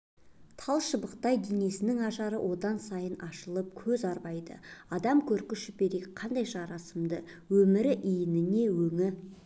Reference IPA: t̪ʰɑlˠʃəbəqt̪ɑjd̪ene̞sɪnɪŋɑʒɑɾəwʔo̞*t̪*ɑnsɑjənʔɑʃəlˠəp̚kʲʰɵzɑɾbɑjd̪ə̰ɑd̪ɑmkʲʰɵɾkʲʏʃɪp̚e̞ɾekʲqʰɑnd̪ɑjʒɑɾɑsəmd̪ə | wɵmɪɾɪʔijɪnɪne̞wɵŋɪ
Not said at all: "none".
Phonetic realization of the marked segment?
d̪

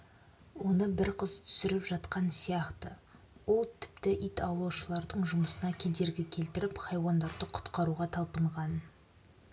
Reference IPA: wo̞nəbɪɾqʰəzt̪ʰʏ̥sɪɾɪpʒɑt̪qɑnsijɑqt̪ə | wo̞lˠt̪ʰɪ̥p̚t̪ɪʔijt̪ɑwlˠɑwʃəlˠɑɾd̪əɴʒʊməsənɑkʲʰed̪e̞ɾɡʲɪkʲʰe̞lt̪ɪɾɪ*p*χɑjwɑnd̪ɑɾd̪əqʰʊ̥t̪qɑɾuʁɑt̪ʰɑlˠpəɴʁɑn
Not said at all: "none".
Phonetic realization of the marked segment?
p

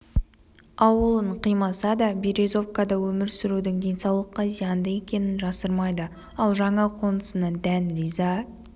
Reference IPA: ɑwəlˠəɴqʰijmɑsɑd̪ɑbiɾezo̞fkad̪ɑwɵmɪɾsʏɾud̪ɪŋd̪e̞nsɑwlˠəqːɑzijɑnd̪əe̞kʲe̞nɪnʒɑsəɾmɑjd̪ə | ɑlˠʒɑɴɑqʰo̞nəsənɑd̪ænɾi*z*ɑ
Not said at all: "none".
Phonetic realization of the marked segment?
z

